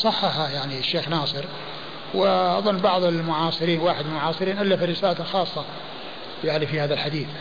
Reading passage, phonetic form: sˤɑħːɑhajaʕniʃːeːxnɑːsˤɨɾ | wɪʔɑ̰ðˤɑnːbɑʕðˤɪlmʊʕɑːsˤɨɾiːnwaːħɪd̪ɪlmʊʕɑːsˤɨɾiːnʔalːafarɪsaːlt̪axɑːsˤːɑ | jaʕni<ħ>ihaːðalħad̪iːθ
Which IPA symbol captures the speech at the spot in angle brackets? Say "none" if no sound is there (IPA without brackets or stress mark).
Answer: f